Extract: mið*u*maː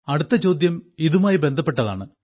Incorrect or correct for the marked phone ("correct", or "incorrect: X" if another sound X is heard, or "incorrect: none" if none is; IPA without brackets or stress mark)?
correct